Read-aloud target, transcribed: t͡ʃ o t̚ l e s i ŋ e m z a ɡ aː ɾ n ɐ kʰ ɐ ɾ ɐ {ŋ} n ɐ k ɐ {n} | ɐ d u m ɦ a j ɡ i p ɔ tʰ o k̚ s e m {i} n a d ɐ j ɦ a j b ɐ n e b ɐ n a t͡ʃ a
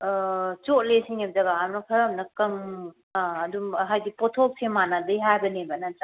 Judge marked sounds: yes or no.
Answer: no, no, no

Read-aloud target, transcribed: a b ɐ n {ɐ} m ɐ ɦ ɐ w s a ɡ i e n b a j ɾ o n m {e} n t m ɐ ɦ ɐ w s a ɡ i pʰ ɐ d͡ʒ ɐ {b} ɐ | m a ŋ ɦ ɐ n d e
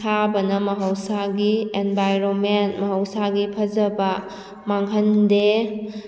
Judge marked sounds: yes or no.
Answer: yes, yes, yes

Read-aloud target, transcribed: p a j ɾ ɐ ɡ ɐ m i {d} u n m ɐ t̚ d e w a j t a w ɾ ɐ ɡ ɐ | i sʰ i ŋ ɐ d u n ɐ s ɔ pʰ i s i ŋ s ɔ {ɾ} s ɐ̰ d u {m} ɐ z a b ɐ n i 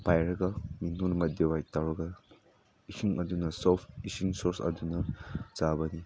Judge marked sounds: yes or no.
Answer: no, yes, no

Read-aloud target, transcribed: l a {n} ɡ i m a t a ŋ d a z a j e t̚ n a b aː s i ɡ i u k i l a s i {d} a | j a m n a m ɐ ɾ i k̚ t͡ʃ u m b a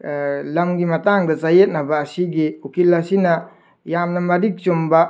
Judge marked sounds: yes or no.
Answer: no, no

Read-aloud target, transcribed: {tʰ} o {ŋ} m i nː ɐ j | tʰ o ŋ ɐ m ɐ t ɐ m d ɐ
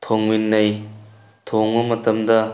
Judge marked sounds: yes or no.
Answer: yes, yes

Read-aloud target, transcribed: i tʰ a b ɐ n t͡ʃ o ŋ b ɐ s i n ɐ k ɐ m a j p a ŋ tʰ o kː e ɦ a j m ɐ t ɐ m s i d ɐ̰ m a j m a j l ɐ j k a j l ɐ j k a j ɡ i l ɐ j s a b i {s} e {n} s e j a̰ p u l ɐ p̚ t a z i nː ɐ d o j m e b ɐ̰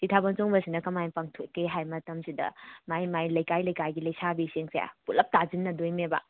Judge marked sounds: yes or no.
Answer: yes, no

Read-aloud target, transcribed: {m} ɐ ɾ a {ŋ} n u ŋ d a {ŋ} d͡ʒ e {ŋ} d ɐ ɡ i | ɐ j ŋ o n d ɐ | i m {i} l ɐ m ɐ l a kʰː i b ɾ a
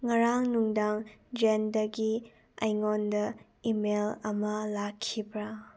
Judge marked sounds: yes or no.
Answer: no, yes, yes, no, no

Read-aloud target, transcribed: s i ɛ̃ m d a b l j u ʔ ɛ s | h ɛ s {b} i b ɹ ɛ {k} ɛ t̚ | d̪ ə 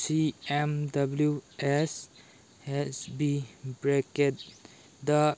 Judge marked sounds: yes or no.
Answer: yes, yes

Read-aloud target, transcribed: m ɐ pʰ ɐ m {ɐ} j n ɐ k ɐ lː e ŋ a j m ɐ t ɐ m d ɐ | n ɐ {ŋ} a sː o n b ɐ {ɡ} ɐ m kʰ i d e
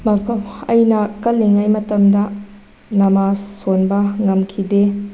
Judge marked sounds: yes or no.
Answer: yes, no, no

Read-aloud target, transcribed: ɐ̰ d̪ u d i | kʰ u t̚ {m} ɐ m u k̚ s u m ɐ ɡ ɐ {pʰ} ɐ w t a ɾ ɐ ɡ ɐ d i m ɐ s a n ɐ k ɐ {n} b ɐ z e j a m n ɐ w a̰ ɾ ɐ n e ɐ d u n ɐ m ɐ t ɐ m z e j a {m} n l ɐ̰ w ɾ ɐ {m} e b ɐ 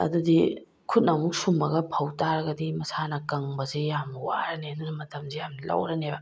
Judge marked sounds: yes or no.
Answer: no, yes, no, yes, no

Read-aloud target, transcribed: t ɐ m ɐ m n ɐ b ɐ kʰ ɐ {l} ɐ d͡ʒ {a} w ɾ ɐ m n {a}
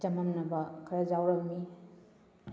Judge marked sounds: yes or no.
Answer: no, yes, no

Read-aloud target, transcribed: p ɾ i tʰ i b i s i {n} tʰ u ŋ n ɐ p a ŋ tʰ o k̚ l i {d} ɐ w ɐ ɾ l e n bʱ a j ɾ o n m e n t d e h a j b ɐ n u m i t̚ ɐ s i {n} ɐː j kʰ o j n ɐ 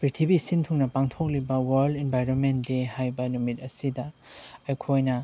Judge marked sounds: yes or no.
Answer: yes, no, no

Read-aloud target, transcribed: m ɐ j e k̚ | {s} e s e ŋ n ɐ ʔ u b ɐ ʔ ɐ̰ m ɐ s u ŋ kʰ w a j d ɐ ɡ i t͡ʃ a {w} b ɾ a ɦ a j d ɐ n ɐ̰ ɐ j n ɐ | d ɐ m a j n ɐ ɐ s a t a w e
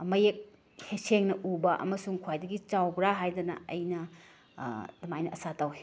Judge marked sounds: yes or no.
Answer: no, yes

